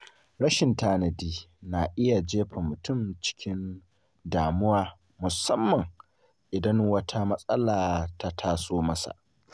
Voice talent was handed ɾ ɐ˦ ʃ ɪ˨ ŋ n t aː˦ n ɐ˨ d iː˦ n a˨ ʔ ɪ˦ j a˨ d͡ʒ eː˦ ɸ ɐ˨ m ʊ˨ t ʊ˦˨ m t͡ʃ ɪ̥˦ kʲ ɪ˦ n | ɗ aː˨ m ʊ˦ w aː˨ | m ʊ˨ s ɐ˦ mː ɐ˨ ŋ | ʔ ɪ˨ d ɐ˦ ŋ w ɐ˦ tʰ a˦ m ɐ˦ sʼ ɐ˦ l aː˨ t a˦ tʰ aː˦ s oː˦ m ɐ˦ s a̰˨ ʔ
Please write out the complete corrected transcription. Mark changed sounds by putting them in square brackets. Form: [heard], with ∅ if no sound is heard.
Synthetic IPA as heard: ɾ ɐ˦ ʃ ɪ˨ [∅] n t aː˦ n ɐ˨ d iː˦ n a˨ ʔ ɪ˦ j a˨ d͡ʒ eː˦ ɸ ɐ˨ m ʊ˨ t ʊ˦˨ m t͡ʃ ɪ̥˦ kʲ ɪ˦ n | [d] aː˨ m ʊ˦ w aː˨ | m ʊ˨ s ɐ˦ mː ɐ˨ ŋ | ʔ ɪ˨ d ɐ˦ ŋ w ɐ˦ tʰ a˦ m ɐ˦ sʼ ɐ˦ l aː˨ t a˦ tʰ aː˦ s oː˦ m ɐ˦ s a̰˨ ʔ